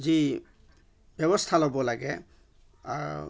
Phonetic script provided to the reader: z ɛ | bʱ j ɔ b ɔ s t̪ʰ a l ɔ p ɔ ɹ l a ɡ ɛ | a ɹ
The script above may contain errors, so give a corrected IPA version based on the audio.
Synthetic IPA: z i | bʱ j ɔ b ɔ s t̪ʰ a l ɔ b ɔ l a ɡ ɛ | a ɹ